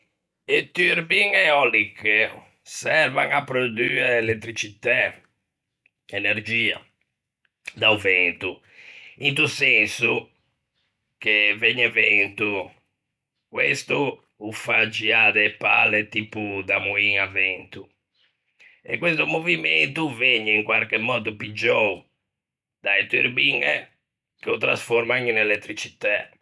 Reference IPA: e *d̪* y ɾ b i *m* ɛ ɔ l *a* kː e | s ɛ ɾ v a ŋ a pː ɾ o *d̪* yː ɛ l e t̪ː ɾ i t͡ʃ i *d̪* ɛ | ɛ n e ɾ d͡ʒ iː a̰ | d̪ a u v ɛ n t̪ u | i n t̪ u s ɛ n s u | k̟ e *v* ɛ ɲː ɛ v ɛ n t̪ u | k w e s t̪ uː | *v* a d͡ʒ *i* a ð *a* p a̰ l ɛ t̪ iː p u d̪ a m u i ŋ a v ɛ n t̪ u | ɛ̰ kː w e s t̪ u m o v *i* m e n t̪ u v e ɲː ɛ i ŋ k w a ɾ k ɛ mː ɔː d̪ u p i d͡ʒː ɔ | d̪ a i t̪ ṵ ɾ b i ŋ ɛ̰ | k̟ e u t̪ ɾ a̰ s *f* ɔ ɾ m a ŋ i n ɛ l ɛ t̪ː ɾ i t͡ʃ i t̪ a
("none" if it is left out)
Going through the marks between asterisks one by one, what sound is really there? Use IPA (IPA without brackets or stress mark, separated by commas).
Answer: t̪, ŋ, i, d̪, t̪, v, f, i, ɛ, i, f